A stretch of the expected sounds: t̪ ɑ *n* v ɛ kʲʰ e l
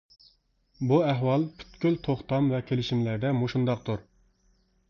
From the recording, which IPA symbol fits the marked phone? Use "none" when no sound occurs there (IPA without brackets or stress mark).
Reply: m